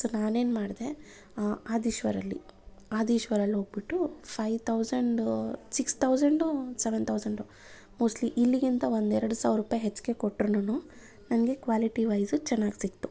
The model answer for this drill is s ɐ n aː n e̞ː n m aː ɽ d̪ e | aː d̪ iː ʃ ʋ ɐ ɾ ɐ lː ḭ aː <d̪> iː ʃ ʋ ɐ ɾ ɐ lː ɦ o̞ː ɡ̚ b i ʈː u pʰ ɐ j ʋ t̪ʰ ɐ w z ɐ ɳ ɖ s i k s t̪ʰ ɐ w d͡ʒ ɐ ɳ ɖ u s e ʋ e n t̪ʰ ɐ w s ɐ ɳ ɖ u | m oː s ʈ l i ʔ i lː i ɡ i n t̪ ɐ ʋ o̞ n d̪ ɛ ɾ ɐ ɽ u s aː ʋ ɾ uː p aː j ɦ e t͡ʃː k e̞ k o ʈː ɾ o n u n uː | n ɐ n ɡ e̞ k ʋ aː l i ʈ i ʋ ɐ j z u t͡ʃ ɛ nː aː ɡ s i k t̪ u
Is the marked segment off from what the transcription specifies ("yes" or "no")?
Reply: no